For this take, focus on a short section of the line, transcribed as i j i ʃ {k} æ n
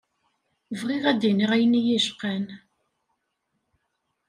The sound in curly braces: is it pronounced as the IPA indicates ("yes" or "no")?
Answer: no